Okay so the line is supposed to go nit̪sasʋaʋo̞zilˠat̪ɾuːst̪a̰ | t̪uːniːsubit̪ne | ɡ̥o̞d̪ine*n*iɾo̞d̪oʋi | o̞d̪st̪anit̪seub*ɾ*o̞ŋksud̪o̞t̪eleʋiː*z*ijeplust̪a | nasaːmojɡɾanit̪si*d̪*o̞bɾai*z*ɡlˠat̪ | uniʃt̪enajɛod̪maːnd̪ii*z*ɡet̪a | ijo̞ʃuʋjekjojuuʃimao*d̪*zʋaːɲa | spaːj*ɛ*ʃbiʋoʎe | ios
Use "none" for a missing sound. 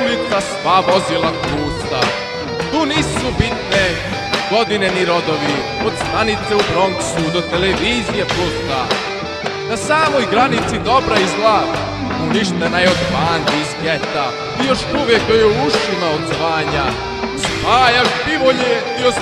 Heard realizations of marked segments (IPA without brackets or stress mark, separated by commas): n, ɾ, z, d̪, z, z, d̪, a